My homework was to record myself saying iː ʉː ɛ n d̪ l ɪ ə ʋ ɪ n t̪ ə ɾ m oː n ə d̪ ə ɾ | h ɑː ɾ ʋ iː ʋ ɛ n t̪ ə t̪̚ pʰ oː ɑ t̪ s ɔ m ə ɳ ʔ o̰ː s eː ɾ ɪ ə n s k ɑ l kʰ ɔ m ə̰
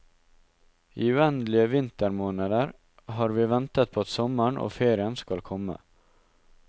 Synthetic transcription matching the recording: iː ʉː ɛ n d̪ l ɪ ə ʋ ɪ n t̪ ə ɾ m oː n ə d̪ ə ɾ | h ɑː ɾ ʋ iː ʋ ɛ n t̪ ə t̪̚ pʰ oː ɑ t̪ s ɔ m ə ɳ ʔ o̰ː f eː ɾ ɪ ə n s k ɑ l kʰ ɔ m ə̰